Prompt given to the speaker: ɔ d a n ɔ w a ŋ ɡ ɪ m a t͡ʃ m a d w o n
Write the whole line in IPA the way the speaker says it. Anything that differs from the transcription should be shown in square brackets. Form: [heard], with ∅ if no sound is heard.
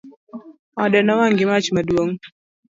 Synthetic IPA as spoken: ɔ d [ɛ] n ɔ w a ŋ ɡ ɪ m a t͡ʃ m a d w o [ŋ]